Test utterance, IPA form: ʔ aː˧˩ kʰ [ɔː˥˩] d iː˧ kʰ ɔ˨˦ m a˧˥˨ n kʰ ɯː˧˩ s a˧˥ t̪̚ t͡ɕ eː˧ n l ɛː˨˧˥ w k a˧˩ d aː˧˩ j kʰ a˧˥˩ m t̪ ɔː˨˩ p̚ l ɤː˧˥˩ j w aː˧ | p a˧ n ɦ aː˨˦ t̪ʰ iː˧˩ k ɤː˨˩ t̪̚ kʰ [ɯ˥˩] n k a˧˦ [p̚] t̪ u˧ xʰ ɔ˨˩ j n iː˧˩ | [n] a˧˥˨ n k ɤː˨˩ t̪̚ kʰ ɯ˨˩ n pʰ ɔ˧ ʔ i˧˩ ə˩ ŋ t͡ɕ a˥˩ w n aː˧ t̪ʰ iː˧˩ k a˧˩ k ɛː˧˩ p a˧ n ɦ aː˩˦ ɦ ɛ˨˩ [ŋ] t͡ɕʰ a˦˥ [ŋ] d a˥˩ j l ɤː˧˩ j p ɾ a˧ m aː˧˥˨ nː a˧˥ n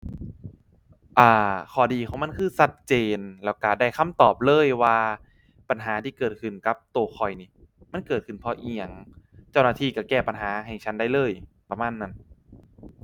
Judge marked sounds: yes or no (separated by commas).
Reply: no, no, yes, no, yes, no